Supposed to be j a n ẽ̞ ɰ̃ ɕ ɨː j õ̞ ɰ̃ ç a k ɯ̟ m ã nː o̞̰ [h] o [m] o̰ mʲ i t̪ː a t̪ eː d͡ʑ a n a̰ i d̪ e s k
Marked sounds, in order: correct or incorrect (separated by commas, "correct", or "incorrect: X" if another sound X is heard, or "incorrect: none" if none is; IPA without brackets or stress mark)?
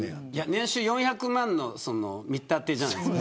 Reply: incorrect: s, incorrect: n